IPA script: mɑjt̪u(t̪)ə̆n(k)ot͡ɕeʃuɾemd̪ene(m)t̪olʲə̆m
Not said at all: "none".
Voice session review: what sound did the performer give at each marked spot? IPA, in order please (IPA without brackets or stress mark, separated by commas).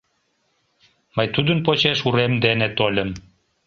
d̪, p, none